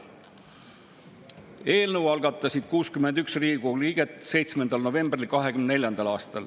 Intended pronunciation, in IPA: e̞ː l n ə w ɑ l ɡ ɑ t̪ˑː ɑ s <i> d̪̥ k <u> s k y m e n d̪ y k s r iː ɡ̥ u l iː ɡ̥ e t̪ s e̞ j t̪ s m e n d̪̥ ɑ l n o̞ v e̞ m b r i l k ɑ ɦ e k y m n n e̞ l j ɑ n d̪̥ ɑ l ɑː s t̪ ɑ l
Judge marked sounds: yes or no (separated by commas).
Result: yes, no